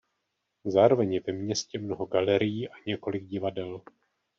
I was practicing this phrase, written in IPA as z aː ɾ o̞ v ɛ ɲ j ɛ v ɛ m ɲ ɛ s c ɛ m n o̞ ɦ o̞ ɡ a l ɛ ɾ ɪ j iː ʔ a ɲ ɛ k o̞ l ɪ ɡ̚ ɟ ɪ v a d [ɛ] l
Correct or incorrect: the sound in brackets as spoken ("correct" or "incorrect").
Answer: correct